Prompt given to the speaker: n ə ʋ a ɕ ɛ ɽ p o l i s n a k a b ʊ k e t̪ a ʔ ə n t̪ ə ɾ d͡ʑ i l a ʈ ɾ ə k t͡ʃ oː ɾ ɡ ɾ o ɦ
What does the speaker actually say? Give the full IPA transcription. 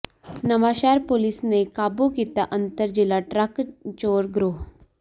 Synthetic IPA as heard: n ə ʋ a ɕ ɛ ɾ p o l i s n e k a b u k i t̪ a ʔ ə n t̪ ə ɾ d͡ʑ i l a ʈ ɾ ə k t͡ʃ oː ɾ ɡ ɾ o ɦ